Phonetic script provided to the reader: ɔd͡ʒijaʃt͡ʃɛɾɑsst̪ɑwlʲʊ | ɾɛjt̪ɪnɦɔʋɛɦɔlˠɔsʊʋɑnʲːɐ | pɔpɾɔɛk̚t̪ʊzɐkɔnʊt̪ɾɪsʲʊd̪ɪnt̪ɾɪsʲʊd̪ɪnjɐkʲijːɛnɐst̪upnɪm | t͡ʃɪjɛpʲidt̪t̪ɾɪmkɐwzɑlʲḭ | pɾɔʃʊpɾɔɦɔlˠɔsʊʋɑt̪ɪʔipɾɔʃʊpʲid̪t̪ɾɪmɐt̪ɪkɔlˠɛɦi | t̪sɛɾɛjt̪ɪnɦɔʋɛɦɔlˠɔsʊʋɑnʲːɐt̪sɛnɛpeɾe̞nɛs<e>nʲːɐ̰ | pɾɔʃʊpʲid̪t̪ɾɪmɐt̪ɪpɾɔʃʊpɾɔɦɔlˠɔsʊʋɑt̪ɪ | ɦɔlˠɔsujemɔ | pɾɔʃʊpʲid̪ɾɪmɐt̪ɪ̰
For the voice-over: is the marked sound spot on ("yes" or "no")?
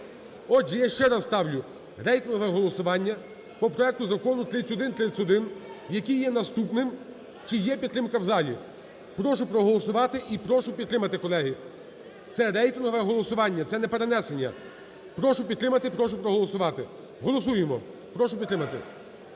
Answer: yes